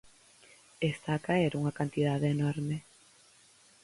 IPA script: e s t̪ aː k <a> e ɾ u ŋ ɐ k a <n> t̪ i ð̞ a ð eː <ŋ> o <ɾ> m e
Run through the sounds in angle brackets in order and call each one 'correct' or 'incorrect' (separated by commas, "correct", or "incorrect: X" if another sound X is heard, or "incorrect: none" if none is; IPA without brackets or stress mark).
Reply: correct, correct, incorrect: n, correct